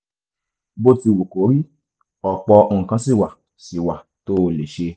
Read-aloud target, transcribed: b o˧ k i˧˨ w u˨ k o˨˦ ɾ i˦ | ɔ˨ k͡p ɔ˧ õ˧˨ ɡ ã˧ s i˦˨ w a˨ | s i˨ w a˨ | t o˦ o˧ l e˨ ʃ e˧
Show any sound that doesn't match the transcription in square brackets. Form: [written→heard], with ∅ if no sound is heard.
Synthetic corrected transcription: b o˧ [k→t] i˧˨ w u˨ k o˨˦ ɾ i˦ | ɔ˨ k͡p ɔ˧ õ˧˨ [ɡ→k] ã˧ s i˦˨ w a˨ | s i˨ w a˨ | t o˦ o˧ l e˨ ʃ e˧